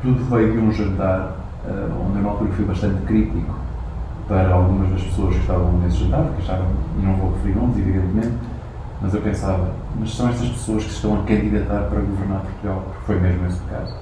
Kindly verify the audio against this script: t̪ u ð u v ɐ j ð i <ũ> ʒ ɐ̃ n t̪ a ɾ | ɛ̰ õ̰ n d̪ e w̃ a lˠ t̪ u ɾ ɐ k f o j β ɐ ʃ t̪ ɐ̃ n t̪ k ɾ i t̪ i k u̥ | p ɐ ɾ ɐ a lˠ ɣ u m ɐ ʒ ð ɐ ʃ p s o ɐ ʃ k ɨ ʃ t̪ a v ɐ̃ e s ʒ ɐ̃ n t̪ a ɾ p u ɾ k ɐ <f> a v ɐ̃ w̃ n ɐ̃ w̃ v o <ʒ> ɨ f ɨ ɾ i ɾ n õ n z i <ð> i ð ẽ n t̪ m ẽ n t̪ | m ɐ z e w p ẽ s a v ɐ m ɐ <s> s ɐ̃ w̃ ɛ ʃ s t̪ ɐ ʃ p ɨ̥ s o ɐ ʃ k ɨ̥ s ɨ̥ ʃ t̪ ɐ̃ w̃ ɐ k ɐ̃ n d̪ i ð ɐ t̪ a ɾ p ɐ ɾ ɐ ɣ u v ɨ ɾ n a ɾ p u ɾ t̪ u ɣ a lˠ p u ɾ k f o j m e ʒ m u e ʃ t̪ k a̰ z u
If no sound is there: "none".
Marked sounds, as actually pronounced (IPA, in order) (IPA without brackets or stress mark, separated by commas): ũ, ʃ, ʁ, v, ʃ